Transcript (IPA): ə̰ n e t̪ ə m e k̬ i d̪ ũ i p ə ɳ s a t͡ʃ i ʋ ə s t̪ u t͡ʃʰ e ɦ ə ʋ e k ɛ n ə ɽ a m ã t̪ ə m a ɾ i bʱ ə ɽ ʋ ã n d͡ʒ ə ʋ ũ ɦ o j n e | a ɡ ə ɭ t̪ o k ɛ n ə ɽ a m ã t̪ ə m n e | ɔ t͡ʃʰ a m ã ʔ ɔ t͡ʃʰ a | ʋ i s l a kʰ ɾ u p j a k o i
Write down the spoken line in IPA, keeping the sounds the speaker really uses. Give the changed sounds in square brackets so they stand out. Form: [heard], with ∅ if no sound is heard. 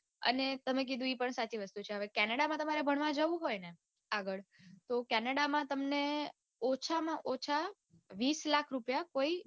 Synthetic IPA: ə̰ n e t̪ ə m e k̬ i d̪ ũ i p ə ɳ s a t͡ʃ i ʋ ə s t̪ u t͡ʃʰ e ɦ ə ʋ e k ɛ n ə ɽ a m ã t̪ ə m a ɾ [e] bʱ ə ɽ ʋ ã [∅] d͡ʒ ə ʋ ũ ɦ o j n e | a ɡ ə ɭ t̪ o k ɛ n ə ɽ a m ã t̪ ə m n e | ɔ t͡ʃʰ a m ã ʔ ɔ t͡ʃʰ a | ʋ i s l a kʰ ɾ u p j a k o i

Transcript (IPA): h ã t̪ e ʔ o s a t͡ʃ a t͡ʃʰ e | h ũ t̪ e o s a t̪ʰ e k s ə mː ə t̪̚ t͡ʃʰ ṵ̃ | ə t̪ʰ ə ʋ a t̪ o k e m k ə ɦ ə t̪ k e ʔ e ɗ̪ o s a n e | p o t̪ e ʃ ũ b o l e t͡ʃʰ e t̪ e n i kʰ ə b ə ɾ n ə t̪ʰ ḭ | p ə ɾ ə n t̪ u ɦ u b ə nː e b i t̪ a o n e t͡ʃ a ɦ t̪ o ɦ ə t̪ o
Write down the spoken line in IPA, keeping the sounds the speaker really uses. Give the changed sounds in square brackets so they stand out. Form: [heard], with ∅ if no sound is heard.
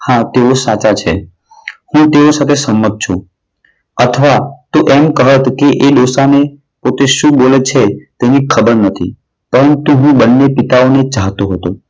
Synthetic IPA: h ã t̪ e [∅] o s a t͡ʃ a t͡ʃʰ e | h ũ t̪ e o s a t̪ʰ e [∅] s ə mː ə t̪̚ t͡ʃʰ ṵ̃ | ə t̪ʰ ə ʋ a t̪ o [ʔ] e m k ə ɦ ə t̪ k e ʔ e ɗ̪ o s a n e | p o t̪ e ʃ ũ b o l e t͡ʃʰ e t̪ e n i kʰ ə b ə ɾ n ə t̪ʰ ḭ | p ə ɾ ə n t̪ u ɦ [ũ] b ə nː e [p] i t̪ a o n e t͡ʃ a ɦ t̪ o ɦ ə t̪ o

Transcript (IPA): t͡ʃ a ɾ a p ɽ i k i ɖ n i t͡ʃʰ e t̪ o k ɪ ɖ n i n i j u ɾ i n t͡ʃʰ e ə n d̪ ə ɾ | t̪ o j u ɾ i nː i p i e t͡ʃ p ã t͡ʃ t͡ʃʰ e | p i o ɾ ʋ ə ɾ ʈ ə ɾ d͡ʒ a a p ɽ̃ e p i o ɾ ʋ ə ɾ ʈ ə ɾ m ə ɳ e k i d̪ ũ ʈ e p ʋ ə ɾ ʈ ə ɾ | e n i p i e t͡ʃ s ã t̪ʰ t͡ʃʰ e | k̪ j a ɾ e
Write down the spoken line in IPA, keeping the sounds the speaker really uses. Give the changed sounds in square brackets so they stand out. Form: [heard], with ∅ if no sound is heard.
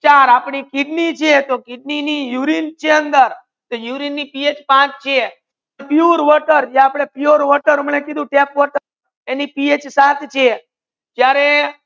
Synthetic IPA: t͡ʃ a ɾ a p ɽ i k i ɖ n i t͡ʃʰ e t̪ o k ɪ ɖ n i n i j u ɾ i n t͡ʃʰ e ə n d̪ ə ɾ | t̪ o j u ɾ i nː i p i e t͡ʃ p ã t͡ʃ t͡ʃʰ e | p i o ɾ ʋ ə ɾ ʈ ə ɾ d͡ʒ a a p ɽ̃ e p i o ɾ ʋ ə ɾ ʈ ə ɾ m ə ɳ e k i d̪ ũ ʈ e p ʋ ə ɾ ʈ ə ɾ | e n i p i e t͡ʃ s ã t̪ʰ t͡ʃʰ e | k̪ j a ɾ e

